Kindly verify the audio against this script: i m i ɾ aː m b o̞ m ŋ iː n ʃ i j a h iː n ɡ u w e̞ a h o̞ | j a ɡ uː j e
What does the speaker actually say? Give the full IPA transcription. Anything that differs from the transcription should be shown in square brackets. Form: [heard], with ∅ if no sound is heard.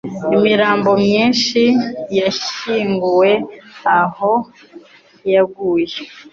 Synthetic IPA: i m i ɾ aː m b o̞ m [ɲ] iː n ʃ i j a [ʃ] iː [ŋ] ɡ u w e̞ a h o̞ | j a ɡ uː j e